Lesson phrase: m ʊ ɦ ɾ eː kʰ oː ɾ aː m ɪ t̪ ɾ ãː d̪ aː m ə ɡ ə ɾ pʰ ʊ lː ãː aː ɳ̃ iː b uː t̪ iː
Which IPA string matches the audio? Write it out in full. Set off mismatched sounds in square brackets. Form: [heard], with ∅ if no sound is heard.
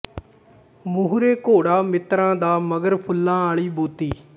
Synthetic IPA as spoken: m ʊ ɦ ɾ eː [k] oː [ɽ] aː m ɪ t̪ ɾ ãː d̪ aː m ə ɡ ə ɾ pʰ ʊ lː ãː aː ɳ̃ iː b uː t̪ iː

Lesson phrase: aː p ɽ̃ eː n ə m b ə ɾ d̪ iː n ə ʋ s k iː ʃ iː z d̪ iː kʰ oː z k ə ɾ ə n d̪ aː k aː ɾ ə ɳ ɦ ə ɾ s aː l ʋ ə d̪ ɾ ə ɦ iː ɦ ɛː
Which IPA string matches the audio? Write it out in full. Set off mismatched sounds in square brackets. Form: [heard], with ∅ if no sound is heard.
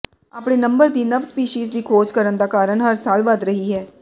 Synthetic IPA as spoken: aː p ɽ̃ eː n ə m b ə ɾ d̪ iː n ə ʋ s [p] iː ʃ iː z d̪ iː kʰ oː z k ə ɾ ə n d̪ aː k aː ɾ ə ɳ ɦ ə ɾ s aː l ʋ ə d̪ ɾ ə ɦ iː ɦ ɛː

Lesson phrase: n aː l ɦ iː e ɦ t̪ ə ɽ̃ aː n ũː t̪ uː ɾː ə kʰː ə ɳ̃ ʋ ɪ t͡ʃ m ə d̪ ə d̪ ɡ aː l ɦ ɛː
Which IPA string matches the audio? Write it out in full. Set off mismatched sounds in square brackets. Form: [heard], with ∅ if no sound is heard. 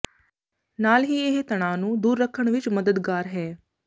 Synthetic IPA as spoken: n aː l ɦ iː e ɦ t̪ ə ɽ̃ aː n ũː [d̪] uː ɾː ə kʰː ə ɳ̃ ʋ ɪ t͡ʃ m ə d̪ ə d̪ ɡ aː [ɾ] ɦ ɛː

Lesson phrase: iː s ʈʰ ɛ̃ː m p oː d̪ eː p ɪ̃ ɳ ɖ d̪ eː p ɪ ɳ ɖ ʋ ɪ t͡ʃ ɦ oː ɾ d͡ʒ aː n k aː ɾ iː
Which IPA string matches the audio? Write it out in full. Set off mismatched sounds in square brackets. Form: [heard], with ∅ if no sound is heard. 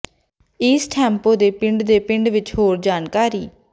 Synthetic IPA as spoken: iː s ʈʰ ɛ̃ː m p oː d̪ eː p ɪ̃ ɳ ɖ d̪ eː p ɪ ɳ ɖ ʋ ɪ t͡ʃ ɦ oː ɾ d͡ʒ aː n k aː ɾ iː

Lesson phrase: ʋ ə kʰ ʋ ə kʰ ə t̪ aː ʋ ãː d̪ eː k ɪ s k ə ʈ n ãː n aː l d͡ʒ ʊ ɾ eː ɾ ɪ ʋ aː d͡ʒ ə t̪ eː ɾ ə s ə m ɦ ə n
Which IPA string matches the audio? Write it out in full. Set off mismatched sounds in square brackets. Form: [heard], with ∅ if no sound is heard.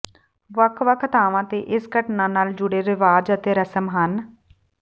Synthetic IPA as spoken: ʋ ə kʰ ʋ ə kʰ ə t̪ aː ʋ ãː [t̪] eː [ʔ] ɪ s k ə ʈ n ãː n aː l d͡ʒ ʊ [ɽ] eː ɾ ɪ ʋ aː d͡ʒ ə t̪ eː ɾ ə s ə m ɦ ə n

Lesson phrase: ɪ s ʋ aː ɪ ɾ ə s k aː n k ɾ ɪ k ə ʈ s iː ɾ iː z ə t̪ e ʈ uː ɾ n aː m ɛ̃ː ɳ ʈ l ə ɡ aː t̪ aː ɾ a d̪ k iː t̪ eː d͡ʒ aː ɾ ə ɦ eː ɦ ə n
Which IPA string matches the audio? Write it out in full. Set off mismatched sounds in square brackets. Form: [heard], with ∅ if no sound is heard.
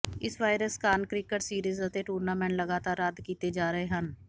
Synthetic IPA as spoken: ɪ s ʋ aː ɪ ɾ ə s k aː n k ɾ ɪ k ə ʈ s iː ɾ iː z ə t̪ e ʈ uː ɾ n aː m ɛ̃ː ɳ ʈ l ə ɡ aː t̪ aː ɾ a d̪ k iː t̪ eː d͡ʒ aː ɾ ə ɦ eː ɦ ə n

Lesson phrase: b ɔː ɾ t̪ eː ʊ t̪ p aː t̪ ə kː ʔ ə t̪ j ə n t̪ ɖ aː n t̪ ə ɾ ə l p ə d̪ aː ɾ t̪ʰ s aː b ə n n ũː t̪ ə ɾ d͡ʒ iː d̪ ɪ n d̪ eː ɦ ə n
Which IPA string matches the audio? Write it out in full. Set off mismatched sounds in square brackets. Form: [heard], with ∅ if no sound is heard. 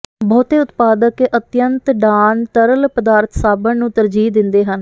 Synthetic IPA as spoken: b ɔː [∅] t̪ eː ʊ t̪ p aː [d̪] ə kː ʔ ə t̪ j ə n t̪ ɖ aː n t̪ ə ɾ ə l p ə d̪ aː ɾ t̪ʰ s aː b ə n n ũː t̪ ə ɾ d͡ʒ iː d̪ ɪ n d̪ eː ɦ ə n

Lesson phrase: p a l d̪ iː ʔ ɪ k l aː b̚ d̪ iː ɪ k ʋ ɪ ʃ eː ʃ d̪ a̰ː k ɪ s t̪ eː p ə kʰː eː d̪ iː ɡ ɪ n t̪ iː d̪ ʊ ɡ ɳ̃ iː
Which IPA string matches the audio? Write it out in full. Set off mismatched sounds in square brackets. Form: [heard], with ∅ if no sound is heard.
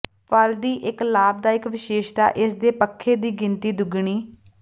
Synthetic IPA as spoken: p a l d̪ iː ʔ ɪ k l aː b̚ d̪ [aː] ɪ k ʋ ɪ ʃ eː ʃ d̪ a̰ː [ʔ] ɪ s [d̪] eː p ə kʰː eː d̪ iː ɡ ɪ n t̪ iː d̪ ʊ ɡ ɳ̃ iː

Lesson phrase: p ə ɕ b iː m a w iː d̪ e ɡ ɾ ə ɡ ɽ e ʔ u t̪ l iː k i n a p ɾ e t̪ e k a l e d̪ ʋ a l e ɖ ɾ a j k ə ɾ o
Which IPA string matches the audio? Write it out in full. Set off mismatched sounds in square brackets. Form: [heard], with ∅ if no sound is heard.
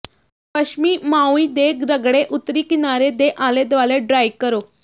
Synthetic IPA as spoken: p ə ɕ [m] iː m a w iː d̪ e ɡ ɾ ə ɡ ɽ e ʔ u t̪ [ɾ] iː k i n a [∅] ɾ e [d̪] e [ʔ] a l e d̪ ʋ a l e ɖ ɾ a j k ə ɾ o

